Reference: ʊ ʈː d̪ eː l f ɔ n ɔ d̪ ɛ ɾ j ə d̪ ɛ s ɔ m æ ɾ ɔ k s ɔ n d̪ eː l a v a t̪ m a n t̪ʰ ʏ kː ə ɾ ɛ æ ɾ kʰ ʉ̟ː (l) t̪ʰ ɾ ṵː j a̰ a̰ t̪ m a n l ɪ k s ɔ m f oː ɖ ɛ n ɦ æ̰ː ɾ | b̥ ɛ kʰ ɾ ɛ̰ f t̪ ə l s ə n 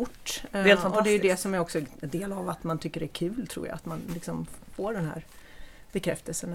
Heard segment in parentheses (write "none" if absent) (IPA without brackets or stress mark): l